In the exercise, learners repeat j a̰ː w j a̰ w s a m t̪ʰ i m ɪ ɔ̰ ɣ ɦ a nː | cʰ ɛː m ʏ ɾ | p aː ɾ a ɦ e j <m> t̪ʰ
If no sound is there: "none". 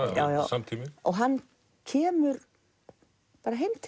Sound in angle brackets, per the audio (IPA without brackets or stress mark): m